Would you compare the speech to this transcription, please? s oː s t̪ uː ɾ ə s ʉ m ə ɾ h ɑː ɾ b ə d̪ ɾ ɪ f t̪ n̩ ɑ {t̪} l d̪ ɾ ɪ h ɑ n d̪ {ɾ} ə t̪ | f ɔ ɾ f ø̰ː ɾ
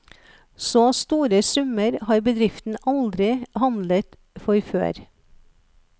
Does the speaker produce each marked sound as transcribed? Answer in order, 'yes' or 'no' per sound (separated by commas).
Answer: no, no